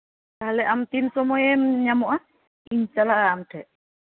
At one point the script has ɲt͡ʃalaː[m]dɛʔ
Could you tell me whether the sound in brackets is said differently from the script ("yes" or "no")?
no